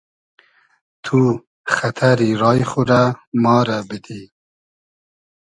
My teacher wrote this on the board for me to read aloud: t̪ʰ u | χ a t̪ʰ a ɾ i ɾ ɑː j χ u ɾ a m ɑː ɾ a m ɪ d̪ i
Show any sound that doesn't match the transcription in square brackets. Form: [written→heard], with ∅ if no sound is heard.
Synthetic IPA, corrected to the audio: t̪ʰ u | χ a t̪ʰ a ɾ i ɾ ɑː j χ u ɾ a m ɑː ɾ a [m→b] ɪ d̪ i